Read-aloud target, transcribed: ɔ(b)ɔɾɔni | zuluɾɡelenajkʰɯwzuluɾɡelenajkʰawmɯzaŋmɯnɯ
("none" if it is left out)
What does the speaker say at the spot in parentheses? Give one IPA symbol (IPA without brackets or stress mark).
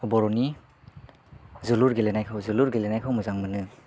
b